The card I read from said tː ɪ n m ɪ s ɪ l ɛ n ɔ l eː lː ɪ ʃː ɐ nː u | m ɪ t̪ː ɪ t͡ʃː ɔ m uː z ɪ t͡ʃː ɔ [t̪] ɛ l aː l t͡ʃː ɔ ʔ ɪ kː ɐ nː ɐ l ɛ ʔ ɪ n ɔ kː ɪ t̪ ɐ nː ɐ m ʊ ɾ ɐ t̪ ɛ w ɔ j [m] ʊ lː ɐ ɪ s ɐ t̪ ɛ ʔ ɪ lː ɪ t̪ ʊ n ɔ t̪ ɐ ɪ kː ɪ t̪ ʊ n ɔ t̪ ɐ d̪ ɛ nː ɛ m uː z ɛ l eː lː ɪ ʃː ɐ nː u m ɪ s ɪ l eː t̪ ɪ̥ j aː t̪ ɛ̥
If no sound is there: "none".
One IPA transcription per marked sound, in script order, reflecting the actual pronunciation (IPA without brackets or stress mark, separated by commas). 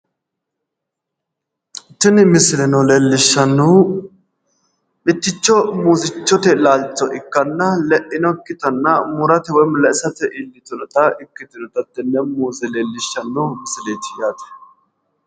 t̪, m